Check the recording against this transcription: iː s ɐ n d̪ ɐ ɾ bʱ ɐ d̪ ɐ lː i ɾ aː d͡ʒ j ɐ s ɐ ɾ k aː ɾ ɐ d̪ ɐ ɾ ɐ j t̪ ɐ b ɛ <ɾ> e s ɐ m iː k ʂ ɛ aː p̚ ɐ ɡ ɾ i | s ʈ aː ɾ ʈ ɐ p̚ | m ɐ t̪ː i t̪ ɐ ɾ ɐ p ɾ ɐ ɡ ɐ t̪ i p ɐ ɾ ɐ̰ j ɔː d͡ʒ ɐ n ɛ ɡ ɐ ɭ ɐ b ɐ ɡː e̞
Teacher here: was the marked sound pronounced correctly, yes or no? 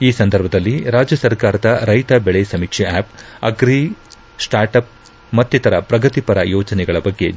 no